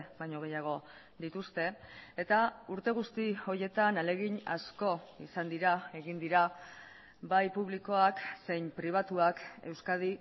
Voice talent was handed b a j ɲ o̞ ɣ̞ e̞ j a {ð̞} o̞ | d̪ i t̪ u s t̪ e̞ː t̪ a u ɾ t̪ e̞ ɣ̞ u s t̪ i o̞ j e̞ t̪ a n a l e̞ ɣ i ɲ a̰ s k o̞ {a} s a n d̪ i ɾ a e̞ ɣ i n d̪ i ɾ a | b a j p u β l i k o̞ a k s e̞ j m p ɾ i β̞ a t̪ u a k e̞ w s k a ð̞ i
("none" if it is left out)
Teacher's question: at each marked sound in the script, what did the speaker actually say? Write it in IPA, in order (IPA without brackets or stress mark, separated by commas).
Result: ɣ̞, i